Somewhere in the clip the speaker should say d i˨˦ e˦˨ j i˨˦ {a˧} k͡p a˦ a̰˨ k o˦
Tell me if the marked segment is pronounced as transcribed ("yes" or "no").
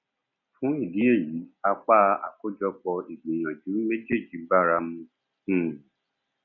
yes